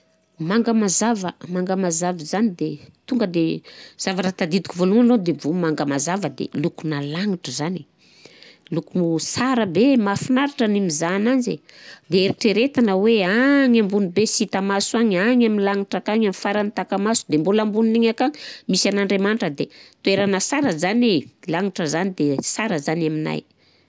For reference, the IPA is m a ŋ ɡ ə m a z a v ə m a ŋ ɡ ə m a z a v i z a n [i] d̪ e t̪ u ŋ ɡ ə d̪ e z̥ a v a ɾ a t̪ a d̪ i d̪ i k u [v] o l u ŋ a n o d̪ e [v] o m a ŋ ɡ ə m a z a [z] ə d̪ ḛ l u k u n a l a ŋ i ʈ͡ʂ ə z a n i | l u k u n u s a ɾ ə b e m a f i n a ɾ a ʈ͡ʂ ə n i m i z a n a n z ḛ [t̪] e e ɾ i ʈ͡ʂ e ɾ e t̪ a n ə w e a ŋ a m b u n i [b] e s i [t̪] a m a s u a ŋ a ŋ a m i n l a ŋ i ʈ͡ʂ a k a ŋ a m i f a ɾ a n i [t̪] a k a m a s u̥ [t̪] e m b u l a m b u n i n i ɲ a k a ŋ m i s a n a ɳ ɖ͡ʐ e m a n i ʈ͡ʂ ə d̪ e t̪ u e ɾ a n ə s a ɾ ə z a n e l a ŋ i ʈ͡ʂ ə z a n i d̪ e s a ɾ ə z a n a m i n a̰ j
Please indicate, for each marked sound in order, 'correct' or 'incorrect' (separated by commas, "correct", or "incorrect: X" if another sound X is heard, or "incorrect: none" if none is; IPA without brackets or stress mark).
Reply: correct, correct, correct, incorrect: v, incorrect: d̪, correct, correct, correct, incorrect: d̪